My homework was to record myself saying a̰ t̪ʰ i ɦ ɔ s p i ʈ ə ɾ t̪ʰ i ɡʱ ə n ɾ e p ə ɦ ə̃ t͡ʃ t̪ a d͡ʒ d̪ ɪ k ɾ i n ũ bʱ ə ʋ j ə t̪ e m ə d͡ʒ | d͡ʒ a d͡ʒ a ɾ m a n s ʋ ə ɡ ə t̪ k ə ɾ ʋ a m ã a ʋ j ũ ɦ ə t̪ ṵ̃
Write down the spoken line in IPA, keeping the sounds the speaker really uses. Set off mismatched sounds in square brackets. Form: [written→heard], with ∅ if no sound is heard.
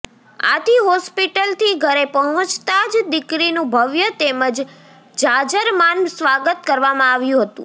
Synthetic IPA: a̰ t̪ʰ i ɦ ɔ s p i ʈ ə [ɾ→l] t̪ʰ i ɡʱ ə [n→∅] ɾ e p ə ɦ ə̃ t͡ʃ t̪ a d͡ʒ d̪ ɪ k ɾ i n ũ bʱ ə ʋ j ə t̪ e m ə d͡ʒ | d͡ʒ a d͡ʒ [a→ə] ɾ m a n s ʋ [ə→a] ɡ ə t̪ k ə ɾ ʋ a m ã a ʋ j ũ ɦ ə t̪ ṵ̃